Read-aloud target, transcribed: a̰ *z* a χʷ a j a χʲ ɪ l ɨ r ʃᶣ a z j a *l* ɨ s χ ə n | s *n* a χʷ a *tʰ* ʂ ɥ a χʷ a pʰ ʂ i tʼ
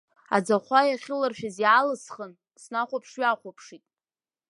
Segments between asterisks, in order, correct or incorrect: incorrect: d͡z, correct, correct, incorrect: pʰ

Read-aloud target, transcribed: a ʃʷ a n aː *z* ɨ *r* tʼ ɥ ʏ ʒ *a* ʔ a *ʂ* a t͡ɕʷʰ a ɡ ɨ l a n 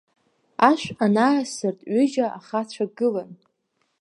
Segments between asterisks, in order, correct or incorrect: incorrect: s, correct, correct, incorrect: χ

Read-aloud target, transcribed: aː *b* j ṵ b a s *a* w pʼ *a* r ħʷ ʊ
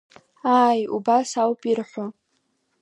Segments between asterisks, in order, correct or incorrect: incorrect: none, correct, incorrect: i

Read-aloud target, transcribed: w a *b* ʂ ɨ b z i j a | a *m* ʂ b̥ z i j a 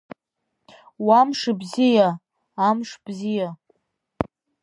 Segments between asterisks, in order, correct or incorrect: incorrect: m, correct

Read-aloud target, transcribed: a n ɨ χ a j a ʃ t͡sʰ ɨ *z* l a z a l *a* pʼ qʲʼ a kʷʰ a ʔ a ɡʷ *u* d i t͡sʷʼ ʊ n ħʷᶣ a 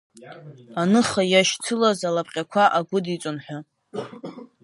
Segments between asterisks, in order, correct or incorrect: incorrect: none, correct, incorrect: ʊ

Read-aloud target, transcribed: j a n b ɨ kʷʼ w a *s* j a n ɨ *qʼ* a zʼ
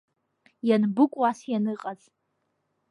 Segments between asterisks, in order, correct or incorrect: correct, correct

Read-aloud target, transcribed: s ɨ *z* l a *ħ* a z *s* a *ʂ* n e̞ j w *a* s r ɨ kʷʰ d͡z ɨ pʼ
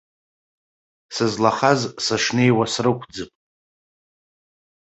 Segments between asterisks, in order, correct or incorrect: correct, incorrect: χ, correct, correct, correct

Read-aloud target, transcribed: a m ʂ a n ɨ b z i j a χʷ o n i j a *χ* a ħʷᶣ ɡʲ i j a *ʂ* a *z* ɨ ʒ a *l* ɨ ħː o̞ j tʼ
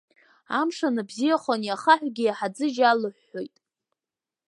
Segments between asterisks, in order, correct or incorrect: correct, incorrect: ħ, incorrect: d͡z, correct

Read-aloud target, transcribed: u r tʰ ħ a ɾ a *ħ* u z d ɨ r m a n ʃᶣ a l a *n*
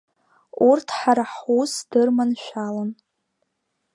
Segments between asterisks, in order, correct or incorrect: correct, correct

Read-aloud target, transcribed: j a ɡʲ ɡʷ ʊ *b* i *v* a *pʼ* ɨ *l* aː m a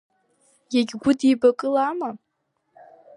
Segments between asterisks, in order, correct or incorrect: incorrect: d, incorrect: b, incorrect: kʼ, correct

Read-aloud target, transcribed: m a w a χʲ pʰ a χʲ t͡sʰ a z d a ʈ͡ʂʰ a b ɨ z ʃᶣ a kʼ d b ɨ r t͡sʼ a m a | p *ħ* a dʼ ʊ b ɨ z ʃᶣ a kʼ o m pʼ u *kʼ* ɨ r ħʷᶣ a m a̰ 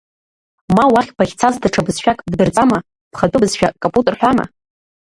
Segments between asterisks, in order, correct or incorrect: incorrect: χ, incorrect: tʼ

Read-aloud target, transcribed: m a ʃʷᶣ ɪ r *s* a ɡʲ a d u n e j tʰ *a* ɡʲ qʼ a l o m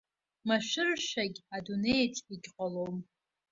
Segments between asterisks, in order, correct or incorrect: incorrect: ʃ, incorrect: i

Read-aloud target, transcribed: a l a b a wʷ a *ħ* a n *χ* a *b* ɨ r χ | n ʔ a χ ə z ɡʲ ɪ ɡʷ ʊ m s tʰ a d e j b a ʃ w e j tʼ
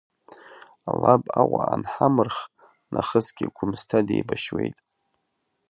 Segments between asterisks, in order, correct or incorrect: incorrect: none, incorrect: ħ, incorrect: m

